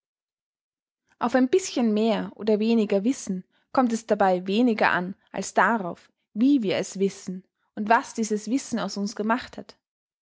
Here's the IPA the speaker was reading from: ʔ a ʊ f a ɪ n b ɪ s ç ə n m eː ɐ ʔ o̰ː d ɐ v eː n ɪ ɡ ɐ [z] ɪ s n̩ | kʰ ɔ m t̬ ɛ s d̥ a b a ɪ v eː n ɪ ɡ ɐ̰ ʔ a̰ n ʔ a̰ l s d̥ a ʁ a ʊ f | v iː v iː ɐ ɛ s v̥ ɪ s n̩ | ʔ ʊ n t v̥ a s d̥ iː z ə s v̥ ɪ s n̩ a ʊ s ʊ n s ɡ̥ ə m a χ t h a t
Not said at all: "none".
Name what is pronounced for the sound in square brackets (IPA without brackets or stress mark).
v